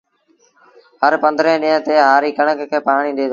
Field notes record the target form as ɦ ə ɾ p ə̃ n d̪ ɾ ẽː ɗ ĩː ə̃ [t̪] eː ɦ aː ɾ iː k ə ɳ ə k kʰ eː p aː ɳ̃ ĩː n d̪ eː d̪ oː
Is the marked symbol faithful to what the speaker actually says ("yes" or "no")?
yes